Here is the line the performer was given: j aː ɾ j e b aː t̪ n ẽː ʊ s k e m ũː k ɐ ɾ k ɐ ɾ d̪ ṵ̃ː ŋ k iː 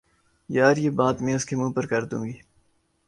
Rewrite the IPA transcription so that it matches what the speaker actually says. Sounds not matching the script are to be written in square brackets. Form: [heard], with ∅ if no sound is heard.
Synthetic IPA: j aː ɾ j e b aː t̪ [m] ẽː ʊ s k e m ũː [p] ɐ ɾ k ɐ ɾ d̪ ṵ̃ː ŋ [ɡ] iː